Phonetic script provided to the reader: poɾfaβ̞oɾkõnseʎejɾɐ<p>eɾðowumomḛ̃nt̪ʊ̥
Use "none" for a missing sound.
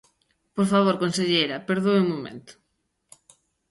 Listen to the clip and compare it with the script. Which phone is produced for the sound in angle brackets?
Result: p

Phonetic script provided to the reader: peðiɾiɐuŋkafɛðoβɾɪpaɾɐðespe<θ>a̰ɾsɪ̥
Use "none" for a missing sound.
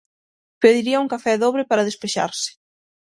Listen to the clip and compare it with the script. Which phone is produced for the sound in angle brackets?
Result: ʃ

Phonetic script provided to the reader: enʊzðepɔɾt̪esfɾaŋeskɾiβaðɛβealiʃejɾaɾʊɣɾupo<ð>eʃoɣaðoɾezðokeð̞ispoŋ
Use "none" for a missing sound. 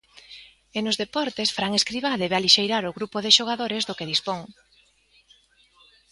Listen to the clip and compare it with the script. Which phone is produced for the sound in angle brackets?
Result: ð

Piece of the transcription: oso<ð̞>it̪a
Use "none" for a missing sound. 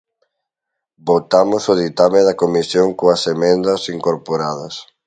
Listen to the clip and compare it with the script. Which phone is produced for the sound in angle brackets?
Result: ð̞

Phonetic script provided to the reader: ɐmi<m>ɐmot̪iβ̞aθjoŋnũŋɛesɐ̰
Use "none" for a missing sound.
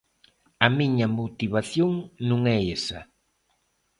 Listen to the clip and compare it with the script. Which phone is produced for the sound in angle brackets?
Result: ɲ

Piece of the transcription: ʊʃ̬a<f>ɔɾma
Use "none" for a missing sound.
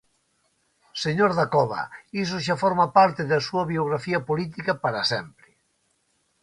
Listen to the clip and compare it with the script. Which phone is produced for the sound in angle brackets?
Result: f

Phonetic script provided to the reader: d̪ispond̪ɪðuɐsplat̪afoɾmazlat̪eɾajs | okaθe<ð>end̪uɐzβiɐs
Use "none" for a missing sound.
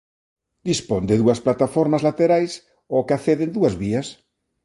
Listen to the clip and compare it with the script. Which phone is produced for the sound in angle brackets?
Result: ð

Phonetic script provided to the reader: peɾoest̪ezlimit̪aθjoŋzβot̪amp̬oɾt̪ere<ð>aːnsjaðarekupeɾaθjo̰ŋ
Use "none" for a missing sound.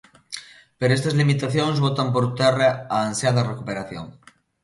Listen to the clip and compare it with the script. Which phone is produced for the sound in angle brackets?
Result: none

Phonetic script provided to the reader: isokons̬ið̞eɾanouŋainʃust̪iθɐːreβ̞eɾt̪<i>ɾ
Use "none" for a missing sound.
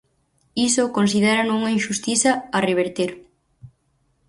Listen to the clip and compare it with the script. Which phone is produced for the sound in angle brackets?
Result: e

